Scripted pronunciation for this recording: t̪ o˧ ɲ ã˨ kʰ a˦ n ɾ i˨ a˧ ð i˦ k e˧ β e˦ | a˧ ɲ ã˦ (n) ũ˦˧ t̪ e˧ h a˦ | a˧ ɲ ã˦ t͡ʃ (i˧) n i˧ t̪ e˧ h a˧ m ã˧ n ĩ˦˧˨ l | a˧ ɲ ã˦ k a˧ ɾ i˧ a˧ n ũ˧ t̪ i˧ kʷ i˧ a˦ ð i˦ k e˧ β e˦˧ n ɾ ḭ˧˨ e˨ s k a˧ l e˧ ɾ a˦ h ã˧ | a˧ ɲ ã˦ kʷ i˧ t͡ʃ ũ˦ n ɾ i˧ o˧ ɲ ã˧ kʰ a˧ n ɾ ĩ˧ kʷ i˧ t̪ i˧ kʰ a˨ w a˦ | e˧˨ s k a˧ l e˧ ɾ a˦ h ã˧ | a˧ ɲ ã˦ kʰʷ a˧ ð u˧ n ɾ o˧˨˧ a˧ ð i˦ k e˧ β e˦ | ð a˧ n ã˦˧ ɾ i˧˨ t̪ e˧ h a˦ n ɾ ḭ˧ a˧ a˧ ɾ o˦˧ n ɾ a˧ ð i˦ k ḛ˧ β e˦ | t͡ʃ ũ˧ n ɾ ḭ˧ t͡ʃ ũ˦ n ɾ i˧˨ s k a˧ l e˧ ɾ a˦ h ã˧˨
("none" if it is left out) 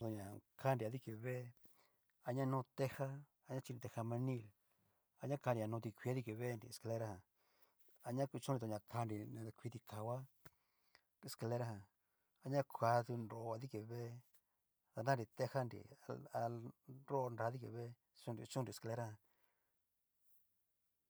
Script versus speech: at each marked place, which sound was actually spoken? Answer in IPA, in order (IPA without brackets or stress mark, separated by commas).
n, i˧